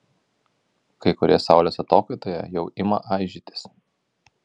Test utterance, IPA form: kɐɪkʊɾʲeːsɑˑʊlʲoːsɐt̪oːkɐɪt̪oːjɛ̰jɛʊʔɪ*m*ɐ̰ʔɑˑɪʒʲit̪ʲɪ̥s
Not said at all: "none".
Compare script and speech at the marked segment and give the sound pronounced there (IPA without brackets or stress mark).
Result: m